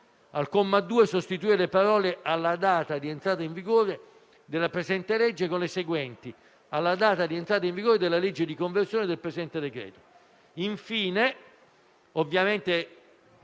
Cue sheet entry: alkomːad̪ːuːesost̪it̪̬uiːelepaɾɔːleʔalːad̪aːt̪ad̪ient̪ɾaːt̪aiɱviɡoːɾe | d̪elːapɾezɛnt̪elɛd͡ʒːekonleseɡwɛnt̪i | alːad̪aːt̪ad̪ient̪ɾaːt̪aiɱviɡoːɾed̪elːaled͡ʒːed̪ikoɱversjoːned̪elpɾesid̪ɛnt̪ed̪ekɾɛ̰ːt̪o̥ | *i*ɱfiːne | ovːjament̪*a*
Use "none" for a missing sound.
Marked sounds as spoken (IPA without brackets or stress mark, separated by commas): i, e